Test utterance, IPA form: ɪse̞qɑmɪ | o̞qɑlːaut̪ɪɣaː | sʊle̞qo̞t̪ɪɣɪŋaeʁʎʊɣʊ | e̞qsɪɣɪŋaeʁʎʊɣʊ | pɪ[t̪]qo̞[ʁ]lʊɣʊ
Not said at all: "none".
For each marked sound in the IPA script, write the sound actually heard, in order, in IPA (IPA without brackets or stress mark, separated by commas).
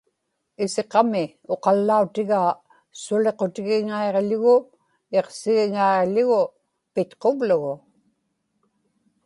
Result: t̪, v